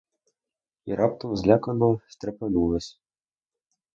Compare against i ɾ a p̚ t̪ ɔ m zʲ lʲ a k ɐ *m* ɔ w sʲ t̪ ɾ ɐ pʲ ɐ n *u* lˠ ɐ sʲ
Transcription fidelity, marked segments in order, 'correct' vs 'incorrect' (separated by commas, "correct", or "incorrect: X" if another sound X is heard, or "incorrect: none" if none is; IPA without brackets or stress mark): incorrect: n, correct